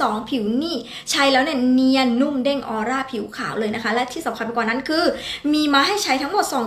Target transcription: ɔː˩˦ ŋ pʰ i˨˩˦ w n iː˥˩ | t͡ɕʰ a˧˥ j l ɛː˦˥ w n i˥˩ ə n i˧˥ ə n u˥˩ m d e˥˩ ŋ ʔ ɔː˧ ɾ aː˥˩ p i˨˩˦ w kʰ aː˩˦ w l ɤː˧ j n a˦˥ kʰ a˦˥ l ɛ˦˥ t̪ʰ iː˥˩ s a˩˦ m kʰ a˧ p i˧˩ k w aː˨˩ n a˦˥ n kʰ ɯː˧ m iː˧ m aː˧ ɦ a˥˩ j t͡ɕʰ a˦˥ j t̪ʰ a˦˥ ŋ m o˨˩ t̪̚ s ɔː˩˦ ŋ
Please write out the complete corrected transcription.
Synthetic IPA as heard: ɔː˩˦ ŋ pʰ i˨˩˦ w n iː˥˩ | t͡ɕʰ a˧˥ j l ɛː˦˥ w n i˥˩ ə n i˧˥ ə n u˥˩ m d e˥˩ ŋ ʔ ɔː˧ ɾ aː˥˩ pʰ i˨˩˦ w kʰ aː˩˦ w l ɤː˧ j n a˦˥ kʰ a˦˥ l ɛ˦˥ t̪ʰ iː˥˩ s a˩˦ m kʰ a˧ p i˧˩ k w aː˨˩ n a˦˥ n kʰ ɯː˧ m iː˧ m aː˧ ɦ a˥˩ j t͡ɕʰ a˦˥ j t̪ʰ a˦˥ ŋ m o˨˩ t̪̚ s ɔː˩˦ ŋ